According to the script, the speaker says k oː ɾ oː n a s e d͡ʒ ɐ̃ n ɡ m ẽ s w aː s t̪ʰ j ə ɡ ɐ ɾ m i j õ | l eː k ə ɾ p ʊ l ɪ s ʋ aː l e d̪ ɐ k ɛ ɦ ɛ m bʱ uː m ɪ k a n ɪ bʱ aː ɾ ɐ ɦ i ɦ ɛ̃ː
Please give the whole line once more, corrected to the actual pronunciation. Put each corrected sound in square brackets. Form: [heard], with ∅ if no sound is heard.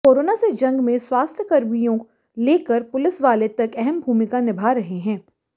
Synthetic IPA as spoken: k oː ɾ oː n a s e d͡ʒ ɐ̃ [ŋ] ɡ m ẽ s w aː s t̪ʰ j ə [k] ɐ ɾ m i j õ | l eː k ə ɾ p ʊ l ɪ s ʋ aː l e [t̪] ɐ k ɛ ɦ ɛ m bʱ uː m ɪ k a n ɪ bʱ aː ɾ ɐ ɦ [e] ɦ ɛ̃ː